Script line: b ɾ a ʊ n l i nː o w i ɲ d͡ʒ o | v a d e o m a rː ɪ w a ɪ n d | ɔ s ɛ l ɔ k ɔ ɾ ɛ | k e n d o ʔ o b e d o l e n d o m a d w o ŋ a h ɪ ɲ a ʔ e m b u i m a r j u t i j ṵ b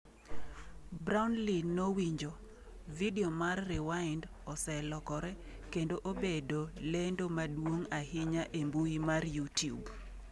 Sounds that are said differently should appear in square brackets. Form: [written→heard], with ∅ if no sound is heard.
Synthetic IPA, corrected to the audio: b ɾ a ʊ n l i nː o w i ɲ d͡ʒ o | v [a→i] d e o m a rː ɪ w a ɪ n d | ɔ s ɛ l ɔ k ɔ ɾ ɛ | k e n d o ʔ o b e d o l e n d o m a d w o ŋ a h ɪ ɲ a ʔ e m b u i m a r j u t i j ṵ b